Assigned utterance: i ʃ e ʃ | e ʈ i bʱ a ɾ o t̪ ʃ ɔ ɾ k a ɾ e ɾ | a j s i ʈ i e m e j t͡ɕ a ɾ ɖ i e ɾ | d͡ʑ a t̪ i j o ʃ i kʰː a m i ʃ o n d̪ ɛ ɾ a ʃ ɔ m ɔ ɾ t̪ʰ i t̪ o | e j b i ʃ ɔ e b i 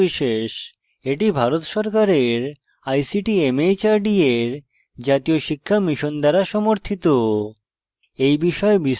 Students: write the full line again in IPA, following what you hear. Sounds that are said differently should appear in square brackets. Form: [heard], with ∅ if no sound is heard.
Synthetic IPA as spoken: i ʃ e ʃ | e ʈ i bʱ a ɾ o t̪ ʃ ɔ ɾ k a ɾ e ɾ | a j s i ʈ i e m e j t͡ɕ a ɾ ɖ i e ɾ | d͡ʑ a t̪ i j o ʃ i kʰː a m i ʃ o n d̪ ɛ ɾ a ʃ ɔ m [o] ɾ t̪ʰ i t̪ o | e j b i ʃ ɔ e b i